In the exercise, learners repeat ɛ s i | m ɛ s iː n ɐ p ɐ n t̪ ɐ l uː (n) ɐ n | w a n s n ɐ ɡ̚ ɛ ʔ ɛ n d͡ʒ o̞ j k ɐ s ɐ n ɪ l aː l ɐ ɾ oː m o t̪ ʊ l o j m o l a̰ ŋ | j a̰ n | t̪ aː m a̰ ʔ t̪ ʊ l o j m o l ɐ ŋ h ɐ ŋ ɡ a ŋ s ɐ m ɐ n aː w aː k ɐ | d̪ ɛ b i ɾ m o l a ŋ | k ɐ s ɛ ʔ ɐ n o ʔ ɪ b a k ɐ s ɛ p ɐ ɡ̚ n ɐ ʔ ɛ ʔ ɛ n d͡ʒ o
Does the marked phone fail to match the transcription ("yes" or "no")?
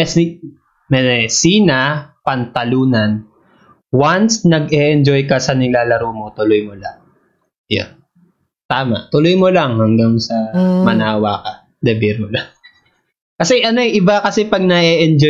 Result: no